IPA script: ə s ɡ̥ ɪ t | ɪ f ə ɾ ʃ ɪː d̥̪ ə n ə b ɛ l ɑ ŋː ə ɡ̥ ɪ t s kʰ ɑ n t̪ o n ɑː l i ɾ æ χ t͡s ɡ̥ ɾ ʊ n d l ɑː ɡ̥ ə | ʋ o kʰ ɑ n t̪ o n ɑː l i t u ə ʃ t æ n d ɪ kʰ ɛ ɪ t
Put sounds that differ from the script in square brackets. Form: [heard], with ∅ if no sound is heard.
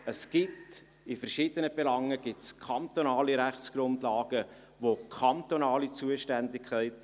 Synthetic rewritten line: ə s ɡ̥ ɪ t | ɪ f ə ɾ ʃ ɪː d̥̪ ə n ə b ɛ l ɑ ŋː ə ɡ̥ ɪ t s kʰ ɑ n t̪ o n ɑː l i ɾ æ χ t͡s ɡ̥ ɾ ʊ n d l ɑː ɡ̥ ə | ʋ o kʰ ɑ n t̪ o n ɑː l i [t͡s] u ə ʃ t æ n d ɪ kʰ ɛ ɪ t